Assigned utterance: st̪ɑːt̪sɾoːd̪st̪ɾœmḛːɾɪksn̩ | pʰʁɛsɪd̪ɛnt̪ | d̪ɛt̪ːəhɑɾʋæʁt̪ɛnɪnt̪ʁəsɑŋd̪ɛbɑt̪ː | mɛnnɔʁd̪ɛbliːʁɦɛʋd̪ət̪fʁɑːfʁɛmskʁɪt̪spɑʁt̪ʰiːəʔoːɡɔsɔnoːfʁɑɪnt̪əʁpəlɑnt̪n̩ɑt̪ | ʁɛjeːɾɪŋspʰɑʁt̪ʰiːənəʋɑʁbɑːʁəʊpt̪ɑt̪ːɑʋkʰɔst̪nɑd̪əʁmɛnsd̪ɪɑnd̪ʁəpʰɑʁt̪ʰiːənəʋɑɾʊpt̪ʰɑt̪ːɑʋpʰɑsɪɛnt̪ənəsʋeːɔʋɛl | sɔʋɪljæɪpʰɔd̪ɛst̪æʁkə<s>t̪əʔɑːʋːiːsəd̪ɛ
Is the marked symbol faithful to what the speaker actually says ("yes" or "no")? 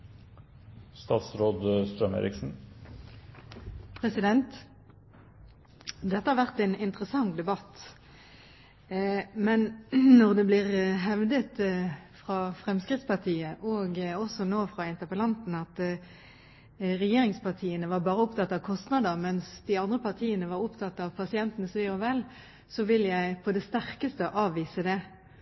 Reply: yes